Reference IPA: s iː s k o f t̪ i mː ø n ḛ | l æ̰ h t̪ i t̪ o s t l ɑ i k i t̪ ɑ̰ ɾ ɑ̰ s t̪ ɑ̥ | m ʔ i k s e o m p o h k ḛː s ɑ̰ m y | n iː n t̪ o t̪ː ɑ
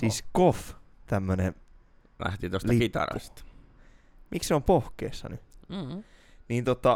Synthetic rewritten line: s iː s k o f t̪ æ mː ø n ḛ | l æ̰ h t̪ i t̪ o s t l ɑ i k i t̪ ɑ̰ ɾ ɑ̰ s t̪ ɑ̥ | m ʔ i k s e o m p o h k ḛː sː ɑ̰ n y | n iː n t̪ o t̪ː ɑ